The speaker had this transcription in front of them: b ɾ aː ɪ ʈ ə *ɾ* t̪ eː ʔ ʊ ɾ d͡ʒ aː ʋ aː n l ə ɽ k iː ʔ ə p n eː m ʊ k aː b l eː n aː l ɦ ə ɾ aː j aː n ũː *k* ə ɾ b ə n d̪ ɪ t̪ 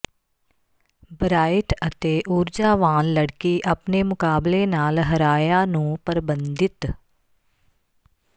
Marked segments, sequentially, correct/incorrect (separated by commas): incorrect, incorrect